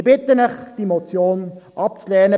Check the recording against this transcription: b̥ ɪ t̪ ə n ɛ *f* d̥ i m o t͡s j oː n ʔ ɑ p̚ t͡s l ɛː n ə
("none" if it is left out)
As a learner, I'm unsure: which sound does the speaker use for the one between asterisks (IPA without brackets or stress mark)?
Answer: χ